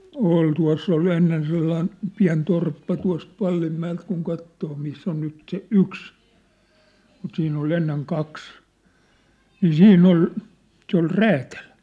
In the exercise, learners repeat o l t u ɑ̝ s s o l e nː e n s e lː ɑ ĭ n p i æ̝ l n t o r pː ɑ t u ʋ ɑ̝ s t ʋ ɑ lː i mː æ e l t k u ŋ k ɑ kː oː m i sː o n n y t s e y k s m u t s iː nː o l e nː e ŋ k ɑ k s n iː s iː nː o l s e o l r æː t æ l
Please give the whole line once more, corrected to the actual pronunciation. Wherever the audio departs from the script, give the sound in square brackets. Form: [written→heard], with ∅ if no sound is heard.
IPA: o l t u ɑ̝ s s o l e nː e n s e lː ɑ ĭ n p i æ̝ [l→∅] n t o r pː ɑ t u [ʋ→∅] ɑ̝ s t ʋ ɑ lː i mː æ e l t k u ŋ k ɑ [kː→tː] oː m i sː o n n y t s e y k s m u t s iː nː o l e nː e ŋ k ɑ k s n iː s iː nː o l s e o l r æː t æ l